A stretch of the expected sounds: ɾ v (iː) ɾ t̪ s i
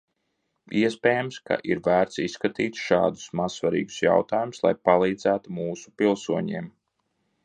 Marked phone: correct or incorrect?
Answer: incorrect